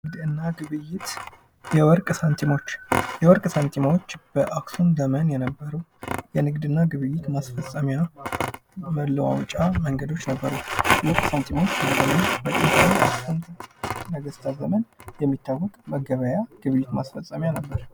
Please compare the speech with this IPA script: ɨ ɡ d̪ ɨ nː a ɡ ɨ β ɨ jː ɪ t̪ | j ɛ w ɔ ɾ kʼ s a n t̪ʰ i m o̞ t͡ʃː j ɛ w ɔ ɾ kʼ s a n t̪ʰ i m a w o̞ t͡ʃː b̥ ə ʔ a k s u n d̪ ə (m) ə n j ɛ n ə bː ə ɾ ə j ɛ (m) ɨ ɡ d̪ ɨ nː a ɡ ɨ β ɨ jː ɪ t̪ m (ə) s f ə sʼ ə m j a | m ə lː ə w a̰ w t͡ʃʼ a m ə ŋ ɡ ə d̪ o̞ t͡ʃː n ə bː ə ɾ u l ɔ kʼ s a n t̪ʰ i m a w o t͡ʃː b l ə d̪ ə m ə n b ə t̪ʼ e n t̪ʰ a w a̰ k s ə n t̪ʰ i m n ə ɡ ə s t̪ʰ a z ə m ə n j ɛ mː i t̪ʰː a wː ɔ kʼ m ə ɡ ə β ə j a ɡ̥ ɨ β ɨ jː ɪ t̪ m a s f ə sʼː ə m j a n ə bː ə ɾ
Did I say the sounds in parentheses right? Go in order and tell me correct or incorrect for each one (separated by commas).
correct, incorrect, incorrect